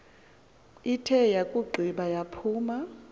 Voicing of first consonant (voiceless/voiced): voiceless